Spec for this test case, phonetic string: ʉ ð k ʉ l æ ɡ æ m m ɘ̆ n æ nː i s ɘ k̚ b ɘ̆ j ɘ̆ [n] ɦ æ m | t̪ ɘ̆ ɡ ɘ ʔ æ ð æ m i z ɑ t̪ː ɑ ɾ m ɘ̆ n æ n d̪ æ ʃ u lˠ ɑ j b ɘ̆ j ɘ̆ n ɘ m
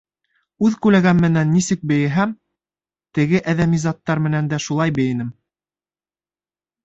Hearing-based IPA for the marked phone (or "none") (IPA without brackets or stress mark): none